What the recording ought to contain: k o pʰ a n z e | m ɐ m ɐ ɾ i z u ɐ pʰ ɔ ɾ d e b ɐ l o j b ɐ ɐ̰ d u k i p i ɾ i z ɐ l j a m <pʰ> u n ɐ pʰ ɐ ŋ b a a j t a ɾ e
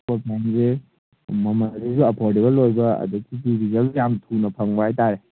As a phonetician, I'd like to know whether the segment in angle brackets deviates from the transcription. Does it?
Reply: yes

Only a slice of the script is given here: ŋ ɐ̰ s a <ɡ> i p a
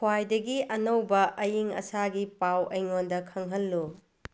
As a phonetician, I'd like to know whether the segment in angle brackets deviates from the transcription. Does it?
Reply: no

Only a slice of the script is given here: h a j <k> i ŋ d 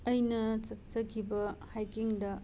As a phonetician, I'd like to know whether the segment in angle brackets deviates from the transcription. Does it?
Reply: no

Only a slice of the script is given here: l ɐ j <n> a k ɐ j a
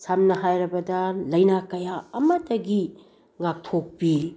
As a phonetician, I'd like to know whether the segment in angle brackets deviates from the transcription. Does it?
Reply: no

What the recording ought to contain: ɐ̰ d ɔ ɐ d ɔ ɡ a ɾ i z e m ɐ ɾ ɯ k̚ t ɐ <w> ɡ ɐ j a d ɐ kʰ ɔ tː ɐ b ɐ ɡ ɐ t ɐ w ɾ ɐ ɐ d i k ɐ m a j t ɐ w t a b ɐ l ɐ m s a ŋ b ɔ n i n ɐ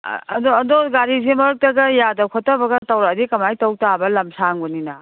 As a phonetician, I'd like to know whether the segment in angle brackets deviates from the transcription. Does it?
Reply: yes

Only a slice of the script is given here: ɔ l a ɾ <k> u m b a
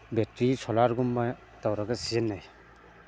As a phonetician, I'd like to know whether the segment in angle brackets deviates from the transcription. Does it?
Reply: yes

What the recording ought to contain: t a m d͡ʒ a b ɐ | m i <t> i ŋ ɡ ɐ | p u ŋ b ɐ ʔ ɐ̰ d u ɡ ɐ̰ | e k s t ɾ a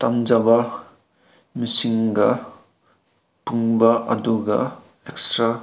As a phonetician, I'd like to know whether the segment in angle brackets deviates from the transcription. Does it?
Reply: yes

